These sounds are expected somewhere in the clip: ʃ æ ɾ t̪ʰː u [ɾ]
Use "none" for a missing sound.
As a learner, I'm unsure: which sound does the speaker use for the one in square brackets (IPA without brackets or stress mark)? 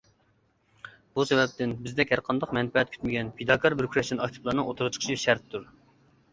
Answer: ɾ